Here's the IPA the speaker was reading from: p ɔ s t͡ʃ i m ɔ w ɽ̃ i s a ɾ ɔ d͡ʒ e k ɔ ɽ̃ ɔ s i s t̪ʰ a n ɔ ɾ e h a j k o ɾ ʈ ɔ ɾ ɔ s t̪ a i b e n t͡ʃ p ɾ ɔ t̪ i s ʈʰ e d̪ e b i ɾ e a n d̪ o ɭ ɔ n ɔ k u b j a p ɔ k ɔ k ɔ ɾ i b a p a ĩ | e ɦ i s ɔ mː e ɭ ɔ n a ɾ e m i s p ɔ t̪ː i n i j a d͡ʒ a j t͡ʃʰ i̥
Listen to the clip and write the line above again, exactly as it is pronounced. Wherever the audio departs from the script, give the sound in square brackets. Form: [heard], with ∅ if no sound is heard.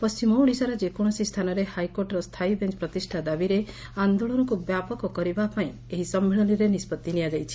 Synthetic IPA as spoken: p ɔ s t͡ʃ i m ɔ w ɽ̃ i s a ɾ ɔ d͡ʒ e k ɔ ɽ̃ ɔ s i s t̪ʰ a n ɔ ɾ e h a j k o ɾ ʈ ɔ ɾ ɔ s [t̪ʰ] a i b e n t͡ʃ p ɾ ɔ t̪ i s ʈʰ [a] d̪ [a] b i ɾ e a n d̪ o ɭ ɔ n ɔ k u b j a p ɔ k ɔ k ɔ ɾ i b a p a ĩ | e ɦ i s ɔ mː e ɭ ɔ n [i] ɾ e [n] i s p ɔ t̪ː i n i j a d͡ʒ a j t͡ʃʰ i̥